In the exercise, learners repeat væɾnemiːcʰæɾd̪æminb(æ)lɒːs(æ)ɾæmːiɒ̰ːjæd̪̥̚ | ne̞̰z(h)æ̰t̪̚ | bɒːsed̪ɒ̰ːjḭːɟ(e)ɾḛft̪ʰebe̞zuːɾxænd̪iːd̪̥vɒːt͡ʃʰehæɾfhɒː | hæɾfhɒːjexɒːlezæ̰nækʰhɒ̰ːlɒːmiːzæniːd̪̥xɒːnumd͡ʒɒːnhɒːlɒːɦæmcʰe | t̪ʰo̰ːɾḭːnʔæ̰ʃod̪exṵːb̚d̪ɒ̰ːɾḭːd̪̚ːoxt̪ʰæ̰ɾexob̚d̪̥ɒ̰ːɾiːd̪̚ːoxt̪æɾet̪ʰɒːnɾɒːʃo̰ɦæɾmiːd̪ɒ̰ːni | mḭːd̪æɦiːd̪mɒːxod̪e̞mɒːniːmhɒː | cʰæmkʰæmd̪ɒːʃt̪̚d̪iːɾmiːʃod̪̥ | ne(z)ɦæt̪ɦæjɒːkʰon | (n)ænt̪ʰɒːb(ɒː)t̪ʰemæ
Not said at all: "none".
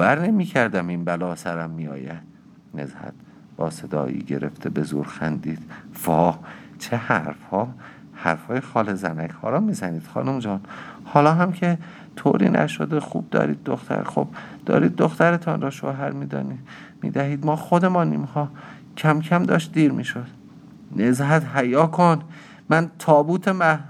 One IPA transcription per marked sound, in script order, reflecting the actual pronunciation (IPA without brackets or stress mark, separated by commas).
æ, æ, h, e, z, m, uː